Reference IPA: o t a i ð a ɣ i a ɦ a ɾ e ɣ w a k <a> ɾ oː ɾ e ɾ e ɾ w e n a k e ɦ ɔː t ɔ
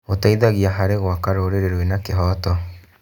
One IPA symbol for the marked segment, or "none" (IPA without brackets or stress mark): a